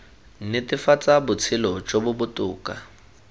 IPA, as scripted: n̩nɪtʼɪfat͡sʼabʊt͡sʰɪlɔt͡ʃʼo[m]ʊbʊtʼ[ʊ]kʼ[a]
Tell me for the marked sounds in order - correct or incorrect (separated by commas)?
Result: incorrect, incorrect, correct